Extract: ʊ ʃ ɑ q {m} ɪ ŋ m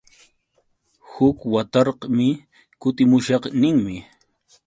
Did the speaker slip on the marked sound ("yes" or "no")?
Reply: yes